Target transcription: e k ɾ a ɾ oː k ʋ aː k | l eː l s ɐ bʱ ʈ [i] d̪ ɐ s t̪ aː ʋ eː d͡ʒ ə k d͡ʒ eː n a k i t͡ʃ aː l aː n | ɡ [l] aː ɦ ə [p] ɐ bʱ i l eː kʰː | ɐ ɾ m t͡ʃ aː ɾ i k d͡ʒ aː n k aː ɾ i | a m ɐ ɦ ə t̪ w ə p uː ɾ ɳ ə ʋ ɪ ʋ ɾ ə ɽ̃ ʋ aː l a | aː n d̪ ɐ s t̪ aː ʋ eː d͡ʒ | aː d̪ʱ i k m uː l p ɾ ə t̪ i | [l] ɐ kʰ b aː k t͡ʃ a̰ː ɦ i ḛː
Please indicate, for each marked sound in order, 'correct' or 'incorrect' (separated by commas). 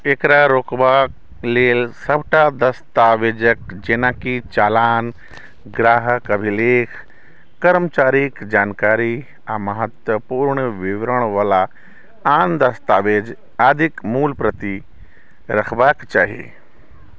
incorrect, incorrect, incorrect, incorrect